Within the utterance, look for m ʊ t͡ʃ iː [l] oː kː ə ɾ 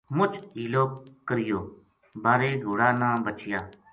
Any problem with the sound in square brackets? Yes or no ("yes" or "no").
no